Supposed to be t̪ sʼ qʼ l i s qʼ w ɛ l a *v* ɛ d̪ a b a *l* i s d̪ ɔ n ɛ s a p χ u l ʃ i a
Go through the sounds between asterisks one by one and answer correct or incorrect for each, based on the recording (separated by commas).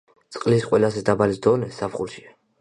incorrect, correct